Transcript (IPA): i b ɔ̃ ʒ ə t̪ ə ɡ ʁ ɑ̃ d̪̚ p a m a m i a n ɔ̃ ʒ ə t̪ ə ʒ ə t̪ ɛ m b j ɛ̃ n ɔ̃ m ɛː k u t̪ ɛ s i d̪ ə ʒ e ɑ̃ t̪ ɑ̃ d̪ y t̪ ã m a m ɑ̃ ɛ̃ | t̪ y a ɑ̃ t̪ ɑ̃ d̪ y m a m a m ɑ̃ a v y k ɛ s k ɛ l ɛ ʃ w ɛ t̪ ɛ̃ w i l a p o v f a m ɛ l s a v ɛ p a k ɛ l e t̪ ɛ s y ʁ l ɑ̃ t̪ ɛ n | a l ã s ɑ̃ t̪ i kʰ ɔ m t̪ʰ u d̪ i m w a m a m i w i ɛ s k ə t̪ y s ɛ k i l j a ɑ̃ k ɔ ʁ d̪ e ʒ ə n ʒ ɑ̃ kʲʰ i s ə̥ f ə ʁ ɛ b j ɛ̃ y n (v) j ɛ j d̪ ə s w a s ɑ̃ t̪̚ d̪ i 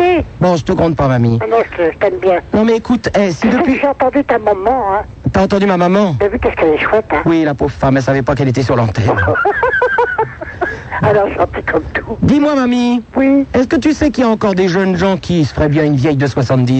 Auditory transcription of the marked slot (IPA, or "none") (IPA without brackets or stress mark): v